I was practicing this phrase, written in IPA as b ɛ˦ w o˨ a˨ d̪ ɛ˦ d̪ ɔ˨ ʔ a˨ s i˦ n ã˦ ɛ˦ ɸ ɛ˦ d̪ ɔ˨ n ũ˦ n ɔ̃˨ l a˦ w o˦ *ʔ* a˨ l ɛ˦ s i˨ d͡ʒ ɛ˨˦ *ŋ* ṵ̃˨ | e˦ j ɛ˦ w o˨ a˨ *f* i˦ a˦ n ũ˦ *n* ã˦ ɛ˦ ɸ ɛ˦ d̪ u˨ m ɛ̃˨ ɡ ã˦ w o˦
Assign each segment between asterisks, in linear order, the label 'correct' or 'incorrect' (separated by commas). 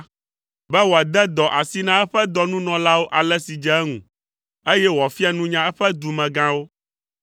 correct, correct, correct, incorrect